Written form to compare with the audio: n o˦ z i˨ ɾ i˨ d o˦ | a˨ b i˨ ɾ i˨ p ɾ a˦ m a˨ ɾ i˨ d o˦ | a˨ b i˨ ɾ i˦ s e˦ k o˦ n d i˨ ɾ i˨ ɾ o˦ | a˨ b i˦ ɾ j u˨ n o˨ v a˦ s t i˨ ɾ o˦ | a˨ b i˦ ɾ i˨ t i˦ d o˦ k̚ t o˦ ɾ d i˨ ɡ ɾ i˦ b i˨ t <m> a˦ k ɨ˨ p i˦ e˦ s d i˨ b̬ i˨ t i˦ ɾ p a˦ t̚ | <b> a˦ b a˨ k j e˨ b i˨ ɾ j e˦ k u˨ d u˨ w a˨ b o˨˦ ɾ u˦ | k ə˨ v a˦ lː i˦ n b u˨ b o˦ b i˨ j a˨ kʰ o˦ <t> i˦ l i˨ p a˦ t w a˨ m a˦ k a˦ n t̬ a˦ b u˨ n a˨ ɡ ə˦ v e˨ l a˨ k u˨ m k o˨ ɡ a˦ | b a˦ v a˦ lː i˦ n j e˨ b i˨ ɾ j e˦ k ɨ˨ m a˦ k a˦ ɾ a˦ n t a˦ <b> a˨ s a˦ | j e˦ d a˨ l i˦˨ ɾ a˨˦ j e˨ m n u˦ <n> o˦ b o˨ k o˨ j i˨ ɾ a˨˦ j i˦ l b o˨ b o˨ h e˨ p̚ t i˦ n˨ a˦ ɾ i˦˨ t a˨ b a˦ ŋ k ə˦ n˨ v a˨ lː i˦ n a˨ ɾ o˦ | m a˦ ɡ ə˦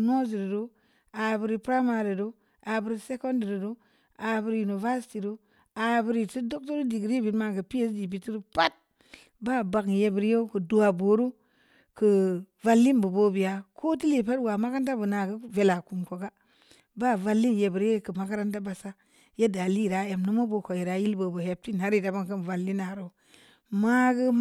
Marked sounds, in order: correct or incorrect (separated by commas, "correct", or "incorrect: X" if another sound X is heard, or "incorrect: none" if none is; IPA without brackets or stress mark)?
correct, correct, correct, correct, incorrect: m